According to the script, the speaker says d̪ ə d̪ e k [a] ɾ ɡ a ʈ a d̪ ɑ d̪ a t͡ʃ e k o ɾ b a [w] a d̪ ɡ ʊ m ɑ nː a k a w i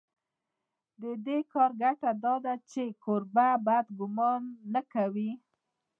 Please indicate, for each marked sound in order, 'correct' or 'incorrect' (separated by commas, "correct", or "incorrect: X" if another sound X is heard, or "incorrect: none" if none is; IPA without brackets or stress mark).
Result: incorrect: ɑ, incorrect: b